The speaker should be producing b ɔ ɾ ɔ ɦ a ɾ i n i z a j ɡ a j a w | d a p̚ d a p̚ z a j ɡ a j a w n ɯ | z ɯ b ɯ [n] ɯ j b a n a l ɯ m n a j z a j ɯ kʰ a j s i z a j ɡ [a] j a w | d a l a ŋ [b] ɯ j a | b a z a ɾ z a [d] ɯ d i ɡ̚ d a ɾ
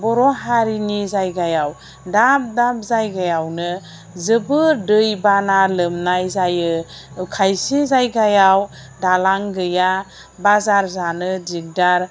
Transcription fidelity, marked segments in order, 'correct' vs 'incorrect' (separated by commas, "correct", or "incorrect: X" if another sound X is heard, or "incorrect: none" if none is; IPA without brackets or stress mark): incorrect: d, correct, incorrect: ɡ, incorrect: n